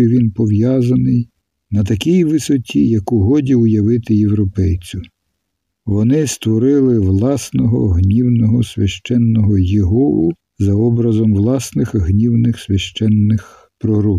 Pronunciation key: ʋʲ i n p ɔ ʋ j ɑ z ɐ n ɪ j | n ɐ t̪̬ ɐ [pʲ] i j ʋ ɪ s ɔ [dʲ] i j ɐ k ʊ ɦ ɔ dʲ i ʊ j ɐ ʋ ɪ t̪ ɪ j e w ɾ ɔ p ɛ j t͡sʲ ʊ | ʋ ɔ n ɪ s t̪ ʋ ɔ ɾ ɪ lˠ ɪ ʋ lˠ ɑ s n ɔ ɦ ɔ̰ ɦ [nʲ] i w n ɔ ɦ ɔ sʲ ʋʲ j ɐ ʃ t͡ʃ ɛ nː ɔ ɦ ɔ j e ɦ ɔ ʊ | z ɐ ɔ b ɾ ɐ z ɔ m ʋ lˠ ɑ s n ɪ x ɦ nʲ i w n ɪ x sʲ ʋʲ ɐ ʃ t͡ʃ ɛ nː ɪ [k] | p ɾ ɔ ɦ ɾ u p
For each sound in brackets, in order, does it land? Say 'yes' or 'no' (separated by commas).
no, no, yes, no